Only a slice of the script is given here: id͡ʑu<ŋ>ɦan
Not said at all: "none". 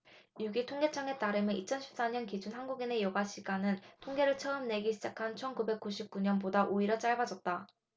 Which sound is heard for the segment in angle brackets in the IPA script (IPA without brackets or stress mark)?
n